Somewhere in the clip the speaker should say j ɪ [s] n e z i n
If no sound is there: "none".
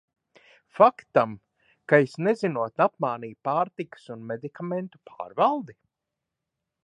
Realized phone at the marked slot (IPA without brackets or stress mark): s